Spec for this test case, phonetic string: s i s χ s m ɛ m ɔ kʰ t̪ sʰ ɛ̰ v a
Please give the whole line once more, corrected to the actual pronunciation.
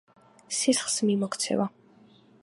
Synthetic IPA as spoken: s i s χ s m i m ɔ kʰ t̪ sʰ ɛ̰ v a